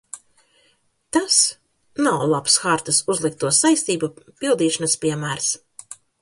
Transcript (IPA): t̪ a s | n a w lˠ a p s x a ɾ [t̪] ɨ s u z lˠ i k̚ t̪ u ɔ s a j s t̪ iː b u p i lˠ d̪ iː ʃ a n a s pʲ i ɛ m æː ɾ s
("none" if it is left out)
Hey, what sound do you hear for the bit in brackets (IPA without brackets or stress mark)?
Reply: t̪